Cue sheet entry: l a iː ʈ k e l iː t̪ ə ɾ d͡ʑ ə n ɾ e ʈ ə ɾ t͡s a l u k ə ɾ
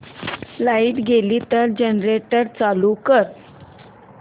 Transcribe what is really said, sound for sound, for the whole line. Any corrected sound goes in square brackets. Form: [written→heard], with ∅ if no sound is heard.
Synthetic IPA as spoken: l a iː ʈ [k→ɡ] e l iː t̪ ə ɾ d͡ʑ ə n ɾ e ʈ ə ɾ t͡s a l u k ə ɾ